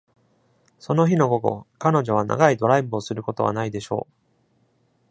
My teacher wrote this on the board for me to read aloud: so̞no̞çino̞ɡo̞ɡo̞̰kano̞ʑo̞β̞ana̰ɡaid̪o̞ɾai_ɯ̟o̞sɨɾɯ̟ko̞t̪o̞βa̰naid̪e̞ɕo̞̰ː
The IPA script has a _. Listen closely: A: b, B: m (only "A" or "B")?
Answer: A